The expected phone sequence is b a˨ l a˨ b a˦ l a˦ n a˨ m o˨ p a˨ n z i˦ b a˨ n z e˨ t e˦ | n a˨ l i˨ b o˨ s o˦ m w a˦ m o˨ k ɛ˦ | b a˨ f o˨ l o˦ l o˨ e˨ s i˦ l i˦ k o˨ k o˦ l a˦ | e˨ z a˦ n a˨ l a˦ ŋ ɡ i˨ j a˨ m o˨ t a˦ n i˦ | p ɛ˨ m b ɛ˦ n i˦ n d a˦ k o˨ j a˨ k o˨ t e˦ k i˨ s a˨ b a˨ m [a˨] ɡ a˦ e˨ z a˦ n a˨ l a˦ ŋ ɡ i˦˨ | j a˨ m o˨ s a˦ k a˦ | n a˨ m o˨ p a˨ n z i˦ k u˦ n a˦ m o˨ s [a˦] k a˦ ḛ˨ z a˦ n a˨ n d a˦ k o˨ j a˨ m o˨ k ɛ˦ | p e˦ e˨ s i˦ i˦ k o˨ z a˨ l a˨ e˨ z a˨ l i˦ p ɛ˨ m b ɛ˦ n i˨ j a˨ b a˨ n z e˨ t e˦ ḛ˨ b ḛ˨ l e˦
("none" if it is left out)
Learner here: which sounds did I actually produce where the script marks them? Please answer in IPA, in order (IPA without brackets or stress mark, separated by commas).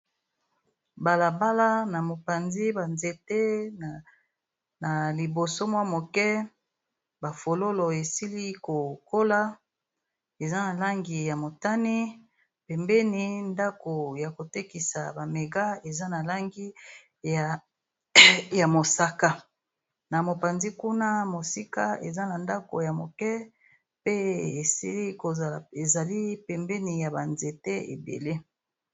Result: e˨, i˦